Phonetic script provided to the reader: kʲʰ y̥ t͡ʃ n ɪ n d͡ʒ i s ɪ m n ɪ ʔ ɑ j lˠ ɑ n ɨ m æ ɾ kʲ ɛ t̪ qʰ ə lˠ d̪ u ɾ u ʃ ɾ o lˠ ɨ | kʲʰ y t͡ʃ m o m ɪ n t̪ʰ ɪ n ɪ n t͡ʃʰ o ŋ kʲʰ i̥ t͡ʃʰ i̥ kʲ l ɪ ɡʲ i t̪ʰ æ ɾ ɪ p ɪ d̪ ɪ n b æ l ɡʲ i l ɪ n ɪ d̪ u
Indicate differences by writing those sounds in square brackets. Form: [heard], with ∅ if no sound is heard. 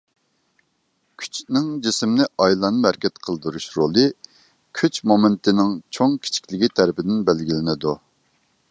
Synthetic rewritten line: kʲʰ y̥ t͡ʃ n ɪ [ŋ] d͡ʒ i s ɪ m n ɪ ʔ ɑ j lˠ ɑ n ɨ m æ ɾ kʲ ɛ t̪ qʰ ə lˠ d̪ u ɾ u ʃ ɾ o lˠ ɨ | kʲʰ y t͡ʃ m o m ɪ n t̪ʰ ɪ n ɪ [ŋ] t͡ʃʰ o ŋ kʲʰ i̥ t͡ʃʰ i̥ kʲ l ɪ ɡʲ i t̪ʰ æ ɾ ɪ p ɪ d̪ ɪ n b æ l ɡʲ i l ɪ n ɪ d̪ u